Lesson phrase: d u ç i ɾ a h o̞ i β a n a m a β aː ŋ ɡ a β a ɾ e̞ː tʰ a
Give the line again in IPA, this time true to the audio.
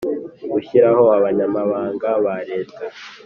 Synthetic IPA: ɡ u ç i ɾ a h o̞ a β a ɲ a m a β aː ŋ ɡ a β a ɾ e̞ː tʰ a